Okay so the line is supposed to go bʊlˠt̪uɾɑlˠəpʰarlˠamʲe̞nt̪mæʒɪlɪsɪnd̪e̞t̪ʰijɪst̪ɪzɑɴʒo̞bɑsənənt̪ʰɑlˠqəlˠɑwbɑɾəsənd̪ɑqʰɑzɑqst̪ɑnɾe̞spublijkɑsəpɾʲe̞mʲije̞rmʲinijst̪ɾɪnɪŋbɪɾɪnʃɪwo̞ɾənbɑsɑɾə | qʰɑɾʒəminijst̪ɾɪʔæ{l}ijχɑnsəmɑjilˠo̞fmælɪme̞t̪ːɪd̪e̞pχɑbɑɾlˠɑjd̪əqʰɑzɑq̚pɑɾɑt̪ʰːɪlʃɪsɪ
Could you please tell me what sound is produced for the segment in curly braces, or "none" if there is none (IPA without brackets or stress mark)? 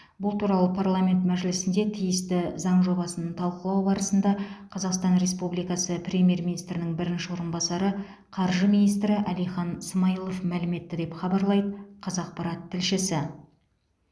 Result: l